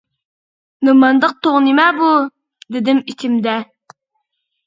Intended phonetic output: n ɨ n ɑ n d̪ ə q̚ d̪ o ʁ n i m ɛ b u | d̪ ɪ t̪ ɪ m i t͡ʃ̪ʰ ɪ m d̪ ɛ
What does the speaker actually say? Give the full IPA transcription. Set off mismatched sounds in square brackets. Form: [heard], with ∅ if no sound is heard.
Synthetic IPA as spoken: n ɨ [m] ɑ n d̪ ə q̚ [t̪] o ʁ n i m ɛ b u | d̪ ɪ [d̪] ɪ m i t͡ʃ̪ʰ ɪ m d̪ ɛ